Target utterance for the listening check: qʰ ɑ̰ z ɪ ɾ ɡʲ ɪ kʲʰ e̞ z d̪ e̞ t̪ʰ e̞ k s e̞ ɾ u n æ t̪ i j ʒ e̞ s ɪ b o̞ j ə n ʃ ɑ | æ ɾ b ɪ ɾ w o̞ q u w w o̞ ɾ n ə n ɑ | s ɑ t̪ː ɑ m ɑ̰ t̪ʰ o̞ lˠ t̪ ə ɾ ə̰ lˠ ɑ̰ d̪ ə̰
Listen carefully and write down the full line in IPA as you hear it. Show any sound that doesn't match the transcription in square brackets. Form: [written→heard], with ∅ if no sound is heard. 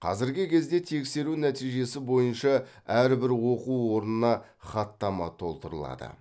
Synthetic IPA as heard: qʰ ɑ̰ z ɪ ɾ ɡʲ ɪ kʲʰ e̞ z d̪ e̞ t̪ʰ e̞ k s e̞ ɾ u n æ t̪ i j ʒ e̞ s ɪ b o̞ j ə n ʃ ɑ | æ ɾ b ɪ ɾ w o̞ q u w w o̞ ɾ n ə n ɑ | [s→χ] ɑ t̪ː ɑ m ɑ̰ t̪ʰ o̞ lˠ t̪ ə ɾ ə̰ lˠ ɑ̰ d̪ ə̰